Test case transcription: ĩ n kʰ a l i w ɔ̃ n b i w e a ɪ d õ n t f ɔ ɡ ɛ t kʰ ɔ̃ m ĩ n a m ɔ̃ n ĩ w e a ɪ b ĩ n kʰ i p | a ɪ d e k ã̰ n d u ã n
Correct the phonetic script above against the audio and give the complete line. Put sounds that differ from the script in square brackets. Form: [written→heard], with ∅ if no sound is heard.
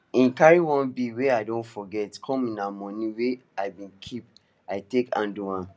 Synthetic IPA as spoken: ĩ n [kʰ→k] a [l→ɹ] i w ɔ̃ n b i w e a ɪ d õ n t f ɔ ɡ ɛ t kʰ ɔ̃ m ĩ n a m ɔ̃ n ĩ w e a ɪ b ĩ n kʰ i p | a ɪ [d→t] e k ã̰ n d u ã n